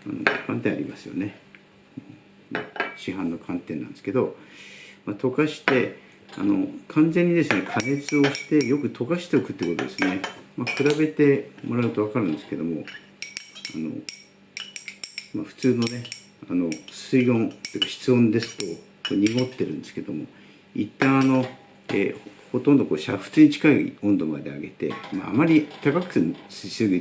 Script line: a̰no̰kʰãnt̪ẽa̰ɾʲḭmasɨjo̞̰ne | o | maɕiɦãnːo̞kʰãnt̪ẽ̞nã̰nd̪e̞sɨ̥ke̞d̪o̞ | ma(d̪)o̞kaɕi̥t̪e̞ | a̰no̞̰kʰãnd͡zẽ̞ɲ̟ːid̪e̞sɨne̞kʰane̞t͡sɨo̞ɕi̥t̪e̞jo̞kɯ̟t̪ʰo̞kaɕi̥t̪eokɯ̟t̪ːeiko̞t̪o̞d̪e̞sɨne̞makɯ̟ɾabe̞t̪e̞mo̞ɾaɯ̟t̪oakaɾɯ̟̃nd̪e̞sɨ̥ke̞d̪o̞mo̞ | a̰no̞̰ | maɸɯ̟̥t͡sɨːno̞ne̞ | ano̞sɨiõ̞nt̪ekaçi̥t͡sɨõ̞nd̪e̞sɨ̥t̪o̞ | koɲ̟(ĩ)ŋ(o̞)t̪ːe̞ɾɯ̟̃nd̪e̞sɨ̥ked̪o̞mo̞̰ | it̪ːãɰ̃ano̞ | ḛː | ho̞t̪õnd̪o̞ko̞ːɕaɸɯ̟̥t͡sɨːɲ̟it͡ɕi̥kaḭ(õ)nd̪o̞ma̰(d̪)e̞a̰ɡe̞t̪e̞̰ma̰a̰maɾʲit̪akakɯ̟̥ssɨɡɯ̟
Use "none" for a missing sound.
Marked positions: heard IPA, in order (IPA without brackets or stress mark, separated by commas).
t̪, i, o̞, õ, d̪